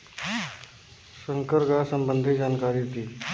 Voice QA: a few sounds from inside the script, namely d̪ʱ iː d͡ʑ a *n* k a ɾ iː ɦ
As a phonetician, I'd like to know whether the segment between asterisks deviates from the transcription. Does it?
no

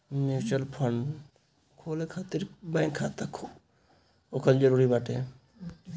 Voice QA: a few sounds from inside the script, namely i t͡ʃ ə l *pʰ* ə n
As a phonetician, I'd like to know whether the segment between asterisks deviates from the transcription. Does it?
no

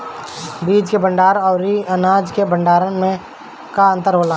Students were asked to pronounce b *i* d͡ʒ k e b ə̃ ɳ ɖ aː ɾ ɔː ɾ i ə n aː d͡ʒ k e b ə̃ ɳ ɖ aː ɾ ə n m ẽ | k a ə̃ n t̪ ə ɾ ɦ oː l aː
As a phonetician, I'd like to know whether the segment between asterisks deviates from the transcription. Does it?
yes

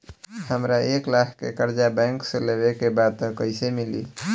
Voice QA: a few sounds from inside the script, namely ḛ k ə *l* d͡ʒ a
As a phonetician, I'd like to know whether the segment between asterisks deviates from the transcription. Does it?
yes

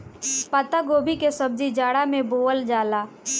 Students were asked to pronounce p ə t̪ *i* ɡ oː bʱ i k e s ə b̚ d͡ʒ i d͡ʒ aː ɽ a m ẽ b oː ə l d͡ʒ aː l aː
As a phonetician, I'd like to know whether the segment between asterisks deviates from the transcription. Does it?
yes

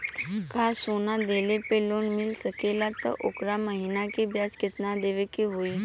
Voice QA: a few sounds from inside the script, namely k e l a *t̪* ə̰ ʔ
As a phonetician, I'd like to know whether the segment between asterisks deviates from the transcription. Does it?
no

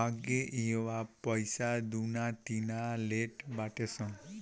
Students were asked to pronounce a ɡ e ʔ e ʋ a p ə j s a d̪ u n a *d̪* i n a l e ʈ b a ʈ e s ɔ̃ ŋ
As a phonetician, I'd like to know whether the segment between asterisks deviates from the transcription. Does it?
yes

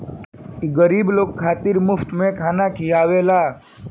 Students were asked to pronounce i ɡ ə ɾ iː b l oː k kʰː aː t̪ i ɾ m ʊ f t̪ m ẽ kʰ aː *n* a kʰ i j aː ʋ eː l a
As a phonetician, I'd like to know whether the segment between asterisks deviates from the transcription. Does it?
no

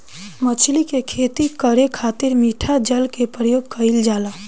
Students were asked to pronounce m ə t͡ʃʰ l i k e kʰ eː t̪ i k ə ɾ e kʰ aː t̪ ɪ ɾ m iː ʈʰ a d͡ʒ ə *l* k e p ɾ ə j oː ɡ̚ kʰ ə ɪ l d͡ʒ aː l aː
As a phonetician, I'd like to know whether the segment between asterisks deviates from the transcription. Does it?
no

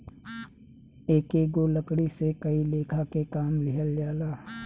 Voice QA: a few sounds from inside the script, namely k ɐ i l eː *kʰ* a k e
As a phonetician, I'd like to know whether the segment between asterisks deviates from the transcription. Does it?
no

